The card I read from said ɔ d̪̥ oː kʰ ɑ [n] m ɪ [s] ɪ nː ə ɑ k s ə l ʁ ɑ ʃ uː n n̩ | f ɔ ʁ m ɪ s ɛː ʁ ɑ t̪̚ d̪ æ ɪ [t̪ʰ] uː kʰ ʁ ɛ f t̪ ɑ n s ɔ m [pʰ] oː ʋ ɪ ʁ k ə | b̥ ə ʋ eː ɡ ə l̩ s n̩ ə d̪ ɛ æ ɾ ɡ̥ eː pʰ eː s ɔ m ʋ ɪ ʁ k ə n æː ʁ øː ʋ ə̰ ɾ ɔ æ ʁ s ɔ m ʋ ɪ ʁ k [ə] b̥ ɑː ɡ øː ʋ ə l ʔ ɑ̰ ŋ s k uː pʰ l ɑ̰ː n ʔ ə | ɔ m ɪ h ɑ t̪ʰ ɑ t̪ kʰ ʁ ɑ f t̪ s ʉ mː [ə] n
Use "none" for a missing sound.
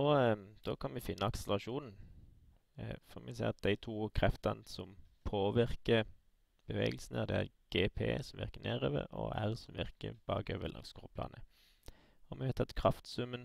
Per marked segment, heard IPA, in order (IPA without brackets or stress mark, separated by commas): n, f, t̪ʰ, pʰ, ə, ə